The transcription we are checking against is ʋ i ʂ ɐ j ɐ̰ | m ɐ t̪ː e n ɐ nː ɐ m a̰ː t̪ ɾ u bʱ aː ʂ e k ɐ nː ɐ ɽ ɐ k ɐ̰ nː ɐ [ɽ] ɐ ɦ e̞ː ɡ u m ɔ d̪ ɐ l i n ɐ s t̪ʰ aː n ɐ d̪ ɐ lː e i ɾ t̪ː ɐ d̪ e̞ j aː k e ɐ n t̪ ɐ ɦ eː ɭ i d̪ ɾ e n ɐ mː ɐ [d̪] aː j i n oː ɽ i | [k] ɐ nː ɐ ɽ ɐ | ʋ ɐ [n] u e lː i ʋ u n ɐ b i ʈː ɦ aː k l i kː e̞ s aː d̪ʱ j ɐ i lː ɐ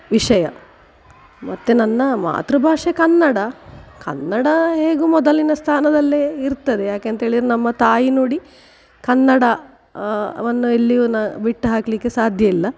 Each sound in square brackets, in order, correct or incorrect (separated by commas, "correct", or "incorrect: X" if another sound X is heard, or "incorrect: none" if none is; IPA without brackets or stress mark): correct, incorrect: t̪, correct, incorrect: nː